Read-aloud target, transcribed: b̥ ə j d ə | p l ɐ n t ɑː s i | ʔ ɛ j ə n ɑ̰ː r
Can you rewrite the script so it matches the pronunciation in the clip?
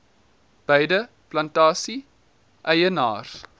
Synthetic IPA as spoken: b̥ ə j d ə | p l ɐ n t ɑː s i | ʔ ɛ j ə n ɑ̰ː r